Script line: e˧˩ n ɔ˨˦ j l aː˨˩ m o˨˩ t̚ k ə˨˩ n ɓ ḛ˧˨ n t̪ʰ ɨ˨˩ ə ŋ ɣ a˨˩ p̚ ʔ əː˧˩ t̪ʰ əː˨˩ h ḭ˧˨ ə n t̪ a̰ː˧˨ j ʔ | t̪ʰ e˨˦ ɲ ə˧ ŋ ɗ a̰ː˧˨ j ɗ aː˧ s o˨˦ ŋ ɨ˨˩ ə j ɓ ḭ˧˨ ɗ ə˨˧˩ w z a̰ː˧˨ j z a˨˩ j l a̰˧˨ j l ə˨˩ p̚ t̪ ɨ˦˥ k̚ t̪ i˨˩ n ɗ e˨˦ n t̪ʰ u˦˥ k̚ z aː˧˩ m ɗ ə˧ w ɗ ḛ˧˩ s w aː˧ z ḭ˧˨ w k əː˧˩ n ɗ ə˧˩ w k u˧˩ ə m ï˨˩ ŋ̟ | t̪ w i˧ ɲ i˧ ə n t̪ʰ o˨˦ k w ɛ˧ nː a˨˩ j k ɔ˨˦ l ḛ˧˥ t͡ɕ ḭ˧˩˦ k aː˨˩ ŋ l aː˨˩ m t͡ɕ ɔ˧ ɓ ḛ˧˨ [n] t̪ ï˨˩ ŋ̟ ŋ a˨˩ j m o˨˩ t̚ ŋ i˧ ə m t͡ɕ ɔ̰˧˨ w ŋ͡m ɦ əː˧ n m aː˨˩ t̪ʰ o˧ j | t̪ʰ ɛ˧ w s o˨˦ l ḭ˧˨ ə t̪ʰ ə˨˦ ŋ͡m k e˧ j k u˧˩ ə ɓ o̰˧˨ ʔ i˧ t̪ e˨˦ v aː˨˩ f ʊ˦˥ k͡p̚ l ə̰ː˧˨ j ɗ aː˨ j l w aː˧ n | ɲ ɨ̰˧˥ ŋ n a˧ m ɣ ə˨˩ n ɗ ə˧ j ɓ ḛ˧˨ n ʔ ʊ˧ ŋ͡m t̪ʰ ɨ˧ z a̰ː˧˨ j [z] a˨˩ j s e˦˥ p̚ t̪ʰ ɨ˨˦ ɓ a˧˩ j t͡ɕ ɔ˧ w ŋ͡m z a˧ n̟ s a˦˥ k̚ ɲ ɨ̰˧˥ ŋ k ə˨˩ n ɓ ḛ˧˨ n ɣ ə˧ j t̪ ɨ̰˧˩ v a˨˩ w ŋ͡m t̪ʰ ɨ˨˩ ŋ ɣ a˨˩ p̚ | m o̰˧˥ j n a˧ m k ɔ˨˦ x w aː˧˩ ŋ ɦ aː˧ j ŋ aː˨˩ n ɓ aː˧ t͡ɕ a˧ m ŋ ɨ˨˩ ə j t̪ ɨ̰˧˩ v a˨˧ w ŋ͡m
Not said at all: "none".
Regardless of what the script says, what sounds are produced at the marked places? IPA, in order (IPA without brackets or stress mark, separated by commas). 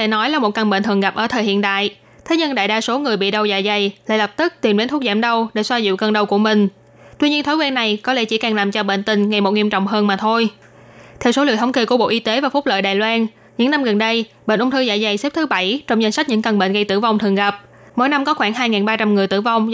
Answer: n, z